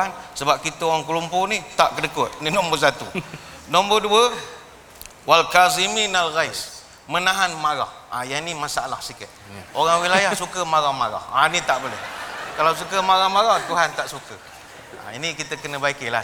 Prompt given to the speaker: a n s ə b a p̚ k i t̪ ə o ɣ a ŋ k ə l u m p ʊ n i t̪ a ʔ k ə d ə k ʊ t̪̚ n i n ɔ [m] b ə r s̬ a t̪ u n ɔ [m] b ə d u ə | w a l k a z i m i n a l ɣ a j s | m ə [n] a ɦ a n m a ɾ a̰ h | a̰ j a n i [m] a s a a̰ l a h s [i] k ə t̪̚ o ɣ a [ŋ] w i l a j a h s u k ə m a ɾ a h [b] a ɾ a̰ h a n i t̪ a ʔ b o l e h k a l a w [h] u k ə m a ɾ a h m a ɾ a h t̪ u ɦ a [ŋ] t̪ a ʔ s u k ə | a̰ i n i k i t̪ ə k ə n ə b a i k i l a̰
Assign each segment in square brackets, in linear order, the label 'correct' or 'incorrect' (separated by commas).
correct, correct, correct, correct, correct, correct, incorrect, incorrect, incorrect